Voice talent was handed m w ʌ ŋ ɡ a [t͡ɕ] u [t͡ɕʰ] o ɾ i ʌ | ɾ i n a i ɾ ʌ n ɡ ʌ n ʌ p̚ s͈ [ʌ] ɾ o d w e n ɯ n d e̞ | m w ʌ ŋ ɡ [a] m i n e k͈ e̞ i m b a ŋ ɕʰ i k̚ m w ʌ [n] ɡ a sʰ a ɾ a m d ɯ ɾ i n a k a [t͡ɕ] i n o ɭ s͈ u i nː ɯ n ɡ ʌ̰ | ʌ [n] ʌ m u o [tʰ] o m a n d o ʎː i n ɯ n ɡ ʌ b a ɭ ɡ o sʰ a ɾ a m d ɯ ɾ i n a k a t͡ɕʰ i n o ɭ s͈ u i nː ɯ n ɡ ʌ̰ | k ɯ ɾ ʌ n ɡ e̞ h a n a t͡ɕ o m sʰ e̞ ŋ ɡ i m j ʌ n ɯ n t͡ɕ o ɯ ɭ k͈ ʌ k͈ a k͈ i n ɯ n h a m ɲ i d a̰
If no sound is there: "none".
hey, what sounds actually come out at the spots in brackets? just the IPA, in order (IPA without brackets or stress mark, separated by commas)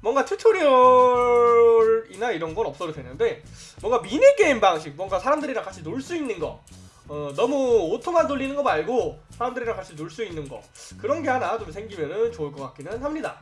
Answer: t͡ɕʰ, t͡ɕʰ, ʌ, a, ŋ, t͡ɕʰ, n, tʰ